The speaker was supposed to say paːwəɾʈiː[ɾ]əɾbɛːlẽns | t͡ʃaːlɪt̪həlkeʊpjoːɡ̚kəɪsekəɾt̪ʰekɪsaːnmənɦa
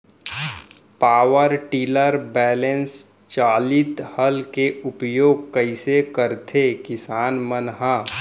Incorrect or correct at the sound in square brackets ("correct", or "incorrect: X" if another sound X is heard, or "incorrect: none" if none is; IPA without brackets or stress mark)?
incorrect: l